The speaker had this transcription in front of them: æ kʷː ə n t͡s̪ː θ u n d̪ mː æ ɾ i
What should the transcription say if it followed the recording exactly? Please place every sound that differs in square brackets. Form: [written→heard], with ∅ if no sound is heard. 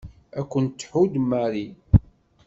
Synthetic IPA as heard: æ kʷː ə n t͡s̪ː [θ→ħ] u [n→∅] d̪ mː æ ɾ i